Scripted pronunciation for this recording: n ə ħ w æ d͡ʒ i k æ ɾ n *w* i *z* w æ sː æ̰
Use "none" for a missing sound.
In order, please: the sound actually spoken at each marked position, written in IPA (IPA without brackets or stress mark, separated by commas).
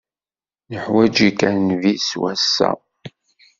v, s